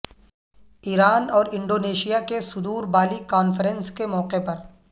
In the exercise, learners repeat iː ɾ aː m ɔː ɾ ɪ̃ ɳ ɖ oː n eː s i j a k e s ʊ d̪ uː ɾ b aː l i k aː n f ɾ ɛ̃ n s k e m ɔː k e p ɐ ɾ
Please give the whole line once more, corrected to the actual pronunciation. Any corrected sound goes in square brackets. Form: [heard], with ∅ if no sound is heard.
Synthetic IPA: iː ɾ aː [n] ɔː ɾ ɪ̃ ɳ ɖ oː n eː [ʃ] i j a k e s ʊ d̪ uː ɾ b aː l i k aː n f ɾ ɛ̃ n s k e m ɔː [q] e p ɐ ɾ